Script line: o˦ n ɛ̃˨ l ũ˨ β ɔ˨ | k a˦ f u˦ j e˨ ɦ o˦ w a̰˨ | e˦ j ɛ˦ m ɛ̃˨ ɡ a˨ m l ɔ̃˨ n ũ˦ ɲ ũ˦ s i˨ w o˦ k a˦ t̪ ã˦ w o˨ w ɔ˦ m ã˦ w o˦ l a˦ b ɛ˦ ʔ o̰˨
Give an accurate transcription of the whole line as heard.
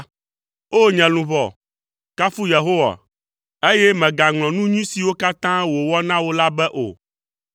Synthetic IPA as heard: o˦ ɲ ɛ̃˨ l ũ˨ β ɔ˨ | k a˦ f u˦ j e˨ ɦ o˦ w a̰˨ | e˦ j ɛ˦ m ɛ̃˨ ɡ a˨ ŋ l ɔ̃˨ n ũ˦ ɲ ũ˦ s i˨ w o˦ k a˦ t̪ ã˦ w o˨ w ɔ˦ n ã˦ w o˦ l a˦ b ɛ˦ ʔ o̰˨